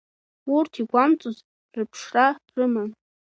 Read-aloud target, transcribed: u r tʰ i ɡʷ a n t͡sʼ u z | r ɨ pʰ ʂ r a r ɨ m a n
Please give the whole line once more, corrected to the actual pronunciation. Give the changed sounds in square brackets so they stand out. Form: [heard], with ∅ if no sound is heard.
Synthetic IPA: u r tʰ i ɡʷ a [m] t͡sʼ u z | r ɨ pʰ ʂ r a r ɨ m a n